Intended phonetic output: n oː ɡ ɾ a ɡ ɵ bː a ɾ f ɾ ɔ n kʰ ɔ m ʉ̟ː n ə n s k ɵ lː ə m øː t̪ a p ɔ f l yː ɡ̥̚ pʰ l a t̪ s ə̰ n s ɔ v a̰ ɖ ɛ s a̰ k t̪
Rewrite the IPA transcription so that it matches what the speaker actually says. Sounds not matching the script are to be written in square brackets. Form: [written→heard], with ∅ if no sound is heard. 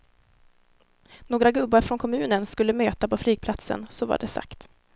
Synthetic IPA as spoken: n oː ɡ ɾ a ɡ ɵ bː a ɾ f ɾ ɔ n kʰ ɔ m ʉ̟ː n ə n s k ɵ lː ə m øː t̪ a p ɔ f l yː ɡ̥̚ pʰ l a t̪ s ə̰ n s ɔ v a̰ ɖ ɛ s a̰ k t̪